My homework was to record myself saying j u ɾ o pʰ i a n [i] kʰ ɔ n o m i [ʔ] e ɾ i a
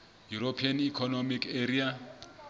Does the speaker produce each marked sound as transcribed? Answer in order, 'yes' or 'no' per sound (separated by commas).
yes, no